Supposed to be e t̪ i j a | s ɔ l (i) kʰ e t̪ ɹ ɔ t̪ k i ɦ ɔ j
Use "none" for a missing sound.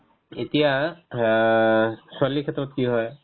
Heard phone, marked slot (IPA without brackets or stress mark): i